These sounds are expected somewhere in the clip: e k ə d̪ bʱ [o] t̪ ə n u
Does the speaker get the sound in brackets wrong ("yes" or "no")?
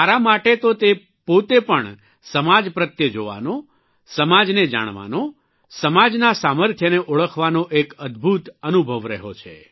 yes